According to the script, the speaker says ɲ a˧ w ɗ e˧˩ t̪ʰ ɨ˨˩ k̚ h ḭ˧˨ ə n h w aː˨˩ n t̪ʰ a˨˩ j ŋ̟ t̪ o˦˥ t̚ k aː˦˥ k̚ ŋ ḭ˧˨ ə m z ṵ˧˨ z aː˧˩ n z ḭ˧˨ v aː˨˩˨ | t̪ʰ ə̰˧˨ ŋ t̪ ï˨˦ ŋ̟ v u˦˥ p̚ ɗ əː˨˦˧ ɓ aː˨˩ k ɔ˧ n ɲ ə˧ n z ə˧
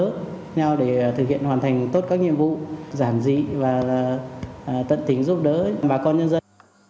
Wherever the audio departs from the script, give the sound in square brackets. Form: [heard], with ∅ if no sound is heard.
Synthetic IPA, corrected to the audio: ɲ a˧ w ɗ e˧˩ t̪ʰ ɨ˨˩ k̚ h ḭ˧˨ ə n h w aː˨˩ n t̪ʰ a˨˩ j ŋ̟ t̪ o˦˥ t̚ k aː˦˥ k̚ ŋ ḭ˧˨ ə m [v] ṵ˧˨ z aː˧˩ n z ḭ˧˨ v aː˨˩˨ | [t̪] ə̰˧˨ [n] t̪ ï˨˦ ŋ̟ [z] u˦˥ p̚ ɗ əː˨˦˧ ɓ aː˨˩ k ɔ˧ n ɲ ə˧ n z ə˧